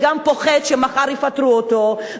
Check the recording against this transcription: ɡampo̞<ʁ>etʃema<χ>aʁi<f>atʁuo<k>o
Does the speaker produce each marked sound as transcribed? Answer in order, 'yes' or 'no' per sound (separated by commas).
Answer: no, yes, yes, no